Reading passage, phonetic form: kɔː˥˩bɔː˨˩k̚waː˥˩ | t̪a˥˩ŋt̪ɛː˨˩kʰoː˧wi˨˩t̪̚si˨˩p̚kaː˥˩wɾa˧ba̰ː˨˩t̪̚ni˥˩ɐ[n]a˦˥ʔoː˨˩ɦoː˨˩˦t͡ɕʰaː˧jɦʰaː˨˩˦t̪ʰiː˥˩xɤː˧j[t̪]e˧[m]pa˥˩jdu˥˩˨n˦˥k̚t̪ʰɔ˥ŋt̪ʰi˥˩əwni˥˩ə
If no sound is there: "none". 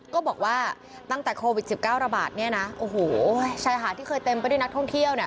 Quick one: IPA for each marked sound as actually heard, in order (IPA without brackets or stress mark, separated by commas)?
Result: n, t̪, m